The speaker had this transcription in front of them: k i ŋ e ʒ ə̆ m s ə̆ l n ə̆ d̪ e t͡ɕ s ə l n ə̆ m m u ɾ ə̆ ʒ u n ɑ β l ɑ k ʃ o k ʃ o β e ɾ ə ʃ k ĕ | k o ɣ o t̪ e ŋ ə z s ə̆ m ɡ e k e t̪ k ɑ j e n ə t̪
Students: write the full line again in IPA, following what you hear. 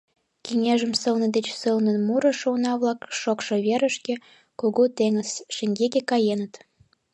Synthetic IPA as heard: k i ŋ e ʒ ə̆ m s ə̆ l n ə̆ d̪ e t͡ɕ s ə l n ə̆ n m u ɾ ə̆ ʃ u n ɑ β l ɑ k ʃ o k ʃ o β e ɾ ə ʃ k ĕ | k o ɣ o t̪ e ŋ ə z ʃ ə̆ ŋ ɡ e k e k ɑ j e n ə t̪